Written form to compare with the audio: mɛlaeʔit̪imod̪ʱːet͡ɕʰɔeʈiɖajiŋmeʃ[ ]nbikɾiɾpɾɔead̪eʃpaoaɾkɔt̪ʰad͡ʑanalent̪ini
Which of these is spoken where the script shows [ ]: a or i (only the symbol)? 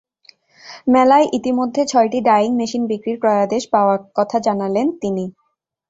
i